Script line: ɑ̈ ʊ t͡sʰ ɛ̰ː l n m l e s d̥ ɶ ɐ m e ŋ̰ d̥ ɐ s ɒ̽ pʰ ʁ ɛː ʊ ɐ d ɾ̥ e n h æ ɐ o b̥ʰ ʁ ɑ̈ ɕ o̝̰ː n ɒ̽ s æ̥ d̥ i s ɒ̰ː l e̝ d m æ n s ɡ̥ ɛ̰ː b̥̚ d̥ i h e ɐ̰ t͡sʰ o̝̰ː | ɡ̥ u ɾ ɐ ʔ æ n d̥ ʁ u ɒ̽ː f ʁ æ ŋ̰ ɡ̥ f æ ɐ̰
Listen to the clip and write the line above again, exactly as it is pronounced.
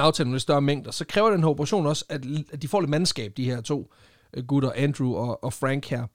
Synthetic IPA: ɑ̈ ʊ t͡sʰ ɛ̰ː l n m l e s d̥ ɶ ɐ m e ŋ̰ d̥ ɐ s ɒ̽ kʰ ʁ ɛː ʊ ɐ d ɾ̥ e n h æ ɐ o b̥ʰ ʁ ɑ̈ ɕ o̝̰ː n ɒ̽ s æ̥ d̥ i f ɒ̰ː l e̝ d m æ n s ɡ̥ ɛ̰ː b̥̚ d̥ i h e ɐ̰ t͡sʰ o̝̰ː | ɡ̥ u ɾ ɐ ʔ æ n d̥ ʁ u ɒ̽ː f ʁ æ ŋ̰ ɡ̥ h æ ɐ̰